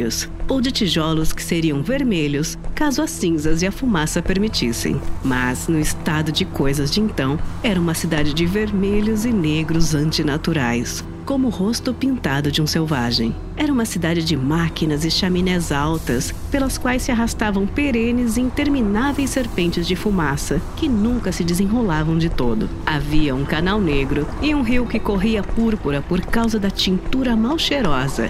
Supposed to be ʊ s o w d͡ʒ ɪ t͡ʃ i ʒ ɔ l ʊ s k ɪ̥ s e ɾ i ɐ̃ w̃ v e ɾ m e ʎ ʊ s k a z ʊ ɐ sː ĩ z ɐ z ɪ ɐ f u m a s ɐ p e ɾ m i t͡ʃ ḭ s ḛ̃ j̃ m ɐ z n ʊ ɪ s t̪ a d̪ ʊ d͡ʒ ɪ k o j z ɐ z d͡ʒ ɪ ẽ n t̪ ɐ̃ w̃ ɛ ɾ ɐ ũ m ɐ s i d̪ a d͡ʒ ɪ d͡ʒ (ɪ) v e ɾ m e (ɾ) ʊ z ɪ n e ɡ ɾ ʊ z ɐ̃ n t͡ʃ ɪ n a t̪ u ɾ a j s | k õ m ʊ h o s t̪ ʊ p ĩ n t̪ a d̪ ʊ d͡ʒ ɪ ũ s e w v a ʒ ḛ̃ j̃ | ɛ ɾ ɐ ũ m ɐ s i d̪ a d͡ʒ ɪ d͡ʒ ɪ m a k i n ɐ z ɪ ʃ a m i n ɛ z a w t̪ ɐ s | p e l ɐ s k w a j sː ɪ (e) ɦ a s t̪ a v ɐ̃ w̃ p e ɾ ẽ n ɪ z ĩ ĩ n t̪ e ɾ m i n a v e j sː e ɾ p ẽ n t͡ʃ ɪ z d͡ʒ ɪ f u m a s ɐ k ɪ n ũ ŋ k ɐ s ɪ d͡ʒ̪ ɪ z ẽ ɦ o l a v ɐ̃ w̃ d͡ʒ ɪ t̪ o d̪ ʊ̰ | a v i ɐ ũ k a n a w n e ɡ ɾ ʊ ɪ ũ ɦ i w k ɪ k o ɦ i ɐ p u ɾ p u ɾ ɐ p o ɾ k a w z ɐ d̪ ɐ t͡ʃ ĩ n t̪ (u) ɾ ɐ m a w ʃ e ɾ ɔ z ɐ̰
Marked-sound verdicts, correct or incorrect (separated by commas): correct, incorrect, incorrect, correct